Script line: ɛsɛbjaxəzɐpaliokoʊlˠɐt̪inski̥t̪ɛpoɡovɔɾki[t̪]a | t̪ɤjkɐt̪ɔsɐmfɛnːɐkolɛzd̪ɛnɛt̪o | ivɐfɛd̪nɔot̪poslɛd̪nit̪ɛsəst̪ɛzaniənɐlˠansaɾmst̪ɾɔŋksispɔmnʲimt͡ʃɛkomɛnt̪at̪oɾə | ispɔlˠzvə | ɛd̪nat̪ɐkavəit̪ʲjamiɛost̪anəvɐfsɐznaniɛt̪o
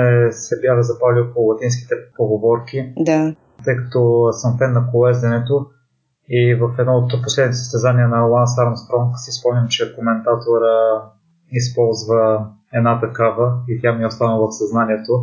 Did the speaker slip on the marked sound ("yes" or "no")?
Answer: yes